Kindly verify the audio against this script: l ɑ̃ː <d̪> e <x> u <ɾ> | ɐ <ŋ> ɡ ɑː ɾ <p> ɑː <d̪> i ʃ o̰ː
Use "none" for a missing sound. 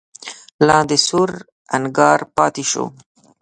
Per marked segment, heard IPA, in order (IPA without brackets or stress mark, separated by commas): d̪, s, ɾ, n, p, t̪